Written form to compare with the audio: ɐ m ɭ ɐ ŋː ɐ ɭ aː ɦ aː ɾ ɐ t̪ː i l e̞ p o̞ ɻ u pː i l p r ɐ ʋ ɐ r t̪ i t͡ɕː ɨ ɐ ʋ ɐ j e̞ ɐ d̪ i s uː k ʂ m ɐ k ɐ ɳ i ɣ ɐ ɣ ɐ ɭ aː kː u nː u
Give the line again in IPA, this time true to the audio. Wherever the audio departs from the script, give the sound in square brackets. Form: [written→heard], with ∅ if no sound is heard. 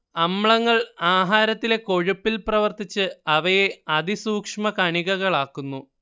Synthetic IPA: ɐ m ɭ ɐ ŋː ɐ ɭ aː ɦ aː ɾ ɐ t̪ː i l e̞ [p→k] o̞ ɻ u pː i l p r ɐ ʋ ɐ r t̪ i t͡ɕː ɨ ɐ ʋ ɐ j e̞ ɐ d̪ i s uː k ʂ m ɐ k ɐ ɳ i ɣ ɐ ɣ ɐ ɭ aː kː u nː u